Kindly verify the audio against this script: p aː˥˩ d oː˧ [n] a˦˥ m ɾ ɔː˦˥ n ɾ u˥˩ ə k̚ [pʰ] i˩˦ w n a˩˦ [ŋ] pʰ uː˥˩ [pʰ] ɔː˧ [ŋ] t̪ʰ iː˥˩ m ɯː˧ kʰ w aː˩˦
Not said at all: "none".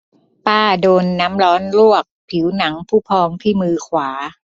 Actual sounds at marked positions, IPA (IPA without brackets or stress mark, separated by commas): nː, pʰ, ŋ, pʰ, ŋ